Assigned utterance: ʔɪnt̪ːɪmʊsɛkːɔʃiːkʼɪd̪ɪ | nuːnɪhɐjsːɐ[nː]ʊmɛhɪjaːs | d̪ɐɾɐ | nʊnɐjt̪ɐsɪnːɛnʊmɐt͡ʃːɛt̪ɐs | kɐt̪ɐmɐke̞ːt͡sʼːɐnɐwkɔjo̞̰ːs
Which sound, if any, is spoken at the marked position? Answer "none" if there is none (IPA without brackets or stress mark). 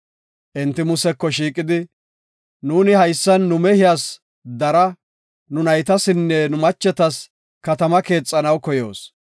nː